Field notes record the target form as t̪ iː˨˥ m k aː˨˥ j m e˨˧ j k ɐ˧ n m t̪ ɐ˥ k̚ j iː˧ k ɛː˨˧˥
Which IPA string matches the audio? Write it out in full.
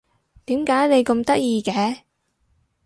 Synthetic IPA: t̪ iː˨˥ m k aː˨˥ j n e˨˧ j k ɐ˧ m t̪ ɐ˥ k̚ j iː˧ k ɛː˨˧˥